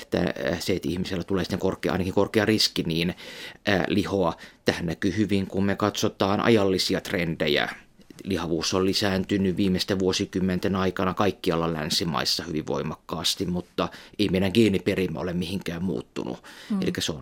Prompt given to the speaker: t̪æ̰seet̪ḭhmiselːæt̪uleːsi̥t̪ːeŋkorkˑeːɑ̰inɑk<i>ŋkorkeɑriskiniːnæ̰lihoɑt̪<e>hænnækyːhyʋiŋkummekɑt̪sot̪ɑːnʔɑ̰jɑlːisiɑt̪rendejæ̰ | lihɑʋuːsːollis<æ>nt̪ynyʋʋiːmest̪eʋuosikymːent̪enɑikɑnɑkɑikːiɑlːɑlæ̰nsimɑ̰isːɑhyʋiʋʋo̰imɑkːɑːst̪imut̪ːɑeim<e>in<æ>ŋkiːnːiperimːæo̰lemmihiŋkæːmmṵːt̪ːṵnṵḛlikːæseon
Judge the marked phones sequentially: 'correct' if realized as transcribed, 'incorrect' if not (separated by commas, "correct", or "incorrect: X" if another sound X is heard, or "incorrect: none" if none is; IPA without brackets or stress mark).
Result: correct, incorrect: æ, incorrect: æː, correct, correct